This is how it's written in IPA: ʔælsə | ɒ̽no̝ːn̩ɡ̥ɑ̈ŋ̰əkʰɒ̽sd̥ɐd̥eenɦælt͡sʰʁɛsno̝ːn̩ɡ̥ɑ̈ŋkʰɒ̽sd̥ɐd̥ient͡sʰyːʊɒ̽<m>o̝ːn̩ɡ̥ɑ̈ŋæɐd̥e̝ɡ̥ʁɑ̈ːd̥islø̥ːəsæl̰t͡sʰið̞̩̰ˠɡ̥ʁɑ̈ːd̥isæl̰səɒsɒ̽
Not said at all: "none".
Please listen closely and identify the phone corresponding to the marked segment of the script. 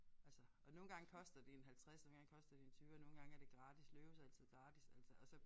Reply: n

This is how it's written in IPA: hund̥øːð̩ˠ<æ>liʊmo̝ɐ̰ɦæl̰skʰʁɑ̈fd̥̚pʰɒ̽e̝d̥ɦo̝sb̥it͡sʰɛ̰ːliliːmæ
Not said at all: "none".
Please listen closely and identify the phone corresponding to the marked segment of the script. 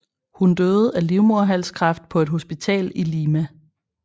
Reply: æ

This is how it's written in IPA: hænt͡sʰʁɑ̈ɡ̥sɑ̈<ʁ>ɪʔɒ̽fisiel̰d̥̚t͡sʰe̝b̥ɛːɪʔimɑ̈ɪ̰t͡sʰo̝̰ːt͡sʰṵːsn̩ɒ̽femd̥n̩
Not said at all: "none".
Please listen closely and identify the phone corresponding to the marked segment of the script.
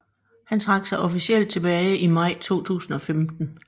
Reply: none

